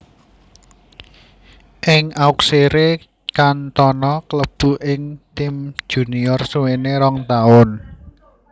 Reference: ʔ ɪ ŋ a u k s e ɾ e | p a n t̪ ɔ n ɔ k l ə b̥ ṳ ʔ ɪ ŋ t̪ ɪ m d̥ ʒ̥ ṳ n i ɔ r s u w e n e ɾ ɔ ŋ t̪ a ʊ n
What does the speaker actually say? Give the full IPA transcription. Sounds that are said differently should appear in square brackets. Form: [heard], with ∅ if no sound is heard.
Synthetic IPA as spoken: ʔ ɪ ŋ a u k s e ɾ e | [k] a n t̪ ɔ n ɔ k l ə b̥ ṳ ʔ ɪ ŋ t̪ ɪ m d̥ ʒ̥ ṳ n i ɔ r s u w e n e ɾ ɔ ŋ t̪ a ʊ n